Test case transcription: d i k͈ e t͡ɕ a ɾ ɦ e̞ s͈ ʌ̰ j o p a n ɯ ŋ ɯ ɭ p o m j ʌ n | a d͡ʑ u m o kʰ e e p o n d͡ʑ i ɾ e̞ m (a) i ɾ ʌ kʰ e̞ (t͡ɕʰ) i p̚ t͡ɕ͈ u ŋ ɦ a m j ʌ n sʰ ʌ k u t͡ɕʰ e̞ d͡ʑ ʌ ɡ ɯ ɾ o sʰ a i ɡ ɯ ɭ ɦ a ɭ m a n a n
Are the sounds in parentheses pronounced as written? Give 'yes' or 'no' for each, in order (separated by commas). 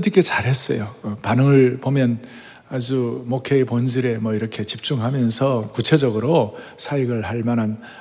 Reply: no, no